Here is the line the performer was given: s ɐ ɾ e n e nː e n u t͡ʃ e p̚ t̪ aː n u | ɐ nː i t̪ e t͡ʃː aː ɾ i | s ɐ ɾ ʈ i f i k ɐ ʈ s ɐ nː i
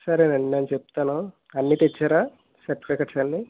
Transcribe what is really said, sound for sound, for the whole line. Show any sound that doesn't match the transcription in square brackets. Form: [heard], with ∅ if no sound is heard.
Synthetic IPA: s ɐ ɾ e n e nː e n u t͡ʃ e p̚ t̪ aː n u | ɐ nː i t̪ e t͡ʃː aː ɾ [a] | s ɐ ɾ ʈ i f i k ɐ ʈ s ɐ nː i